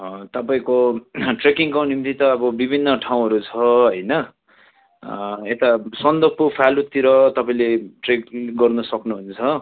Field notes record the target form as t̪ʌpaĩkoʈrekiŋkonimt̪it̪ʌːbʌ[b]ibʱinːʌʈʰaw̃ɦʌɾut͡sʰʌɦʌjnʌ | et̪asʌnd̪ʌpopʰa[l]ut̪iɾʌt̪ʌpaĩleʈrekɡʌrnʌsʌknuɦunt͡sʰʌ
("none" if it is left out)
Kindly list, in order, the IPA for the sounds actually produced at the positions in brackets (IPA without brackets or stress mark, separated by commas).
b, l